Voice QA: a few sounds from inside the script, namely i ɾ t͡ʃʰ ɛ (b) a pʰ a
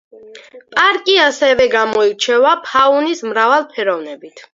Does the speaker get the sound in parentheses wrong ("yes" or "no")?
yes